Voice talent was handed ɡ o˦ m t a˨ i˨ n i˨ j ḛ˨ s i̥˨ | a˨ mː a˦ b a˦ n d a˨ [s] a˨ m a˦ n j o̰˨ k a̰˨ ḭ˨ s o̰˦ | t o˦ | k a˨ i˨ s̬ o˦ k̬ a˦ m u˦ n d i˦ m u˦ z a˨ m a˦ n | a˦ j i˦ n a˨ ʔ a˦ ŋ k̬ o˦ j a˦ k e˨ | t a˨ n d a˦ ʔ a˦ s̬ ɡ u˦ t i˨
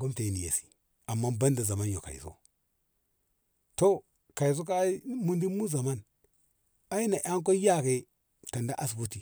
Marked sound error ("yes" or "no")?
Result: yes